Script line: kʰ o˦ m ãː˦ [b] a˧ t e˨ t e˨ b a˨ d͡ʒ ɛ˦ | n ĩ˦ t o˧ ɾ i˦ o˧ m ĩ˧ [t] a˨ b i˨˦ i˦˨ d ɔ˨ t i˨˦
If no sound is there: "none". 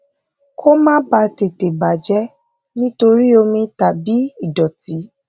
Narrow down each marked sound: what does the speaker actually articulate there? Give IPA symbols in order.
b, t

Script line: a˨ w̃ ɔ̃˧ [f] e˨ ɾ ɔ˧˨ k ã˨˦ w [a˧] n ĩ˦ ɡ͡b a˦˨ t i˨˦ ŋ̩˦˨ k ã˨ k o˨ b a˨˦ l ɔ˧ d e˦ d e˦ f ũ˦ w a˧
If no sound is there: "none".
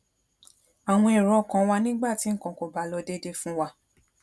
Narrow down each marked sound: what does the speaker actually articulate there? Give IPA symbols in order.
none, a˧

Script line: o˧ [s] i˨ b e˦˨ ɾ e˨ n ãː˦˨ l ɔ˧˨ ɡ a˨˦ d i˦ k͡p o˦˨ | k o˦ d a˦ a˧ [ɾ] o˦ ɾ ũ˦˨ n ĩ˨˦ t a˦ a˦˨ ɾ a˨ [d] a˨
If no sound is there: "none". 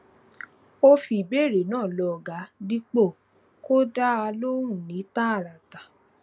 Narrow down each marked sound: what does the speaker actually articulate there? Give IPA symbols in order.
f, l, t

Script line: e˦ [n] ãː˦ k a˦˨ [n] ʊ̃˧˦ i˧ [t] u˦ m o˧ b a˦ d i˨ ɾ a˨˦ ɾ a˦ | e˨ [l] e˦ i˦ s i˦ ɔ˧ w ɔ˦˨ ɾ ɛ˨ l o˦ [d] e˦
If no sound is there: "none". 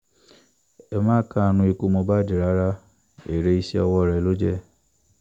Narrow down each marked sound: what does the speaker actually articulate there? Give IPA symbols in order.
m, n, k, ɾ, d͡ʒ

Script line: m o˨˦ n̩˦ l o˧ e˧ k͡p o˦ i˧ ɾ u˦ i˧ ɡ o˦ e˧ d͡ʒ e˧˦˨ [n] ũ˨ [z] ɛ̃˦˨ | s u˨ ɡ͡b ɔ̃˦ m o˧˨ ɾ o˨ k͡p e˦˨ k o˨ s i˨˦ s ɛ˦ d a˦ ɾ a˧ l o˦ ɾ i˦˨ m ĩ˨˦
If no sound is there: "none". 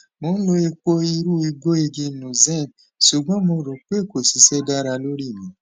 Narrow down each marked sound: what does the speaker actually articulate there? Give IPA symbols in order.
n, z

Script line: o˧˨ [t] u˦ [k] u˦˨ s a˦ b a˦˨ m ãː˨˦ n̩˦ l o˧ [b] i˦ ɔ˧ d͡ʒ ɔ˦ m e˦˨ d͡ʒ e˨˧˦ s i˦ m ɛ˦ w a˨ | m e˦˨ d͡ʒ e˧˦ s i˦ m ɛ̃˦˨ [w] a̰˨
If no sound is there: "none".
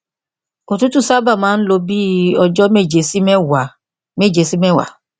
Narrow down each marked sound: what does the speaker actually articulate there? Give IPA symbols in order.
t, t, b, w

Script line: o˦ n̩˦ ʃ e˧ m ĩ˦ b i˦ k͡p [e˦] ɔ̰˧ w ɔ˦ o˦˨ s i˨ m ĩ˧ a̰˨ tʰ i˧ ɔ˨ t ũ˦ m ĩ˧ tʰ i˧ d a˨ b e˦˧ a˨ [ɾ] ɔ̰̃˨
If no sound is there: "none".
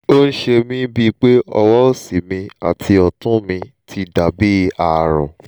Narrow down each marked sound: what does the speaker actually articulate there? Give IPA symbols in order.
e˦, ɾ

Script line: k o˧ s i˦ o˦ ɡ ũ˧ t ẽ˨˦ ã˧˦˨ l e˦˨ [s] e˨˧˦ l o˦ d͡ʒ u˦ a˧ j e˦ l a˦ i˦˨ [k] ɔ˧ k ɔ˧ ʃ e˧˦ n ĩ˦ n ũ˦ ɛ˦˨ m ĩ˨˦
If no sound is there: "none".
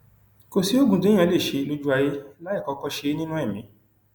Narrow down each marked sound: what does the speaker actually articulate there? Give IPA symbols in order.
ʃ, k

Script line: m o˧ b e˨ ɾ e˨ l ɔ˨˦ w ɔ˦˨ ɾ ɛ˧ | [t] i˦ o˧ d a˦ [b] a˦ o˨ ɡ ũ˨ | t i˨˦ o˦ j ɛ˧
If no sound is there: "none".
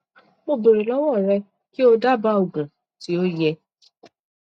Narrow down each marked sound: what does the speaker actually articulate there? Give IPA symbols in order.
k, b

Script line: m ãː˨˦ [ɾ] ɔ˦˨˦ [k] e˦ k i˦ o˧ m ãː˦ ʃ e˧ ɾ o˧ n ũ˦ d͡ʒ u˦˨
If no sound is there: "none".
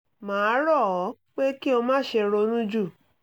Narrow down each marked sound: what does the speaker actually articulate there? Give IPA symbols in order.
ɾ, k͡p

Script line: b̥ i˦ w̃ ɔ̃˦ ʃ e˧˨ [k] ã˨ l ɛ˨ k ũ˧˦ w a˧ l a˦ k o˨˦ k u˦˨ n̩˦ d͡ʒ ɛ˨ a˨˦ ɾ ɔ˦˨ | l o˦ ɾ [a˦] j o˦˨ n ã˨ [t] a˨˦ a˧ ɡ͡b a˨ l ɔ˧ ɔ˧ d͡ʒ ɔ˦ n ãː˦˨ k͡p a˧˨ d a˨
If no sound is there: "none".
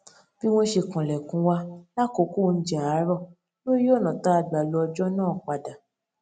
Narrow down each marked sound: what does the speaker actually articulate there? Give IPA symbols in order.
k, i˦, t

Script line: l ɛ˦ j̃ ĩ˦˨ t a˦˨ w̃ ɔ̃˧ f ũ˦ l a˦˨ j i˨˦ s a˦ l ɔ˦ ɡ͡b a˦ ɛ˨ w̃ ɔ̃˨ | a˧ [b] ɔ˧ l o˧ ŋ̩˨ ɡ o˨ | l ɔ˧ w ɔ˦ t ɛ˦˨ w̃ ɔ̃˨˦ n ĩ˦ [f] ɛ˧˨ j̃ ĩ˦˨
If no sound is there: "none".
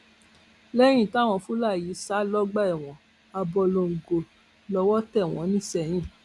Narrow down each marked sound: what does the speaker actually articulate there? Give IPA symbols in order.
b, s

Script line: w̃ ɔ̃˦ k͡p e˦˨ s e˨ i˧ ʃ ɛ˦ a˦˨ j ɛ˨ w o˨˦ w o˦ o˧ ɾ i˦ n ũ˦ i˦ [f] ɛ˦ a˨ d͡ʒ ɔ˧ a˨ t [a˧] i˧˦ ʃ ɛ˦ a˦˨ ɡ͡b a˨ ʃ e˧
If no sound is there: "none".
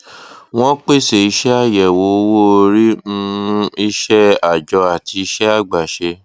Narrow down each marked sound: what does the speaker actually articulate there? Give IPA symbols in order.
ʃ, i˧

